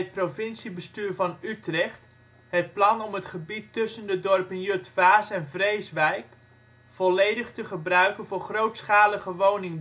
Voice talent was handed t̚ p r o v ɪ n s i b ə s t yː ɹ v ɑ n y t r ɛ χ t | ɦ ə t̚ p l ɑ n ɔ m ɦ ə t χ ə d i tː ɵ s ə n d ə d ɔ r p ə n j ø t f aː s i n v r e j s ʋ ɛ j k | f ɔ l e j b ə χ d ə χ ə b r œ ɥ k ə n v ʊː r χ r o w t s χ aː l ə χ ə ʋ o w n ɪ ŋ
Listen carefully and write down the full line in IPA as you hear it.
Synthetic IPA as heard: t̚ p r o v ɪ n s i b ə s t yː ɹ v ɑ n y t r ɛ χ t | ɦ ə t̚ p l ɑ n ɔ m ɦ ə t χ ə b i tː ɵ s ə n d ə d ɔ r p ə n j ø t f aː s ɛ n v r e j s ʋ ɛ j k | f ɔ l e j d ə χ t ə χ ə b r œ ɥ k ə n v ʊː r χ r o w t s χ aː l ə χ ə ʋ o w n ɪ ŋ